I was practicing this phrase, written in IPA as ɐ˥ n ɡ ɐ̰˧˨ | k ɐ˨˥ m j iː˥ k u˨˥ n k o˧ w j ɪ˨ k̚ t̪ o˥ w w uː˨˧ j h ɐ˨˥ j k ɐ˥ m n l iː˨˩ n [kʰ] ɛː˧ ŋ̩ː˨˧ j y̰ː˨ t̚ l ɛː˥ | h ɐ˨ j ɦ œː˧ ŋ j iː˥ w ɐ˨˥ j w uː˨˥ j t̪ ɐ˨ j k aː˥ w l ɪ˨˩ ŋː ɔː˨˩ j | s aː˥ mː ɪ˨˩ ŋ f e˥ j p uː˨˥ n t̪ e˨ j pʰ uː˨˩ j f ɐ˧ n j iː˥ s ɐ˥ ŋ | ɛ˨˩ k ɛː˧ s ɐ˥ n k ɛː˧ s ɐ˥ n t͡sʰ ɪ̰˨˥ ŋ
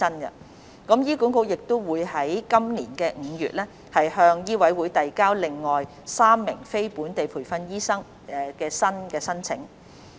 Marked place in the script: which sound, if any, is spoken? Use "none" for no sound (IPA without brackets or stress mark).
k